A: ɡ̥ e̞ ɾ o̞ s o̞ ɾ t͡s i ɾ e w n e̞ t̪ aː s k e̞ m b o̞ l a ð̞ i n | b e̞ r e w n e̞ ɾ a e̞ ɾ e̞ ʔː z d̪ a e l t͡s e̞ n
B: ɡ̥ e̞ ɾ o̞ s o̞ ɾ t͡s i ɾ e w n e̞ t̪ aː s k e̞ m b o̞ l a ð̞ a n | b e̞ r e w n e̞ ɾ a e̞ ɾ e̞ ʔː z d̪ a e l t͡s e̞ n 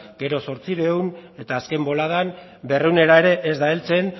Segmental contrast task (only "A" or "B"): B